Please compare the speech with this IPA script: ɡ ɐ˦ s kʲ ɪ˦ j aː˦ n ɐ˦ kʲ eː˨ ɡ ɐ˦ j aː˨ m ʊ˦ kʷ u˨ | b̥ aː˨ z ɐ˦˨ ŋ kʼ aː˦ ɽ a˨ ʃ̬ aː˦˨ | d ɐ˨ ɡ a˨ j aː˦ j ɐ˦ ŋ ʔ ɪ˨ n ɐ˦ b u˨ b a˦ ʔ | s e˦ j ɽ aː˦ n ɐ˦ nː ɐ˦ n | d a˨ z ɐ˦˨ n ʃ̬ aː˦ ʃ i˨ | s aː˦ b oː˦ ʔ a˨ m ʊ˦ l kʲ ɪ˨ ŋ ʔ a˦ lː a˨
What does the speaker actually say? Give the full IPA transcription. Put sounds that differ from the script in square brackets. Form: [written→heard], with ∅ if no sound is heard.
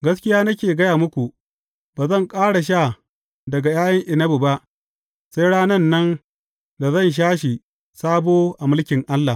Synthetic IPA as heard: ɡ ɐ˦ s kʲ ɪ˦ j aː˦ n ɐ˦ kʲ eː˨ ɡ ɐ˦ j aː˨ m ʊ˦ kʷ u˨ | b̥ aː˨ z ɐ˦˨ ŋ kʼ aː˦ ɽ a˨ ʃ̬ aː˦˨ | d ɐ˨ ɡ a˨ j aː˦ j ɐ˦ ŋ ʔ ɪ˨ n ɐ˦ b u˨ b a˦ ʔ | s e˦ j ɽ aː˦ n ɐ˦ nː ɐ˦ n | d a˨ z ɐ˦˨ n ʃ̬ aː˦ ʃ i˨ | s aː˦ b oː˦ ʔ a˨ m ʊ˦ l kʲ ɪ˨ ŋ ʔ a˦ lː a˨